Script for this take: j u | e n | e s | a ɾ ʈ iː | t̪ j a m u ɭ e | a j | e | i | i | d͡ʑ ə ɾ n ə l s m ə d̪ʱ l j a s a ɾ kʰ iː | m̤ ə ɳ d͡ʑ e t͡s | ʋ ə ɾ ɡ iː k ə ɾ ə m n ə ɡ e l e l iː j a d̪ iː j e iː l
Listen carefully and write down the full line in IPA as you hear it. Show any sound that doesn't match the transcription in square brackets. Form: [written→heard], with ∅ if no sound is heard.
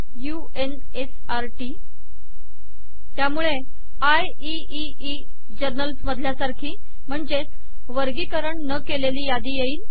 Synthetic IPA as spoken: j u | e n | e s | a ɾ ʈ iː | t̪ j a m u ɭ e | a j | [e→i] | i | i | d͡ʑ ə ɾ n ə l s m ə d̪ʱ l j a s a ɾ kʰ iː | m̤ ə ɳ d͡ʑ e t͡s | ʋ ə ɾ ɡ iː k ə ɾ ə [m→ɳ] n ə [ɡ→k] e l e l iː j a d̪ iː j e iː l